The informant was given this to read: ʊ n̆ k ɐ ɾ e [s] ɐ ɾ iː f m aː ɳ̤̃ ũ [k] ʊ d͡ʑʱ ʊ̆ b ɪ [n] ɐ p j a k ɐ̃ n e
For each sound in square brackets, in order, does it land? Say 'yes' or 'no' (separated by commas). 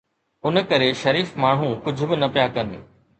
no, yes, yes